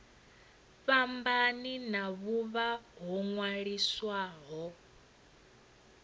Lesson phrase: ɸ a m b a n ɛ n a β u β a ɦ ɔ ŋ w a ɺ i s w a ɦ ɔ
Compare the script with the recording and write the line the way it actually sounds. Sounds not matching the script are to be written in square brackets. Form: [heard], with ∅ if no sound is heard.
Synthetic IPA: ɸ a m b a n [i] n a β u β a ɦ ɔ ŋ w a ɺ i s w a ɦ ɔ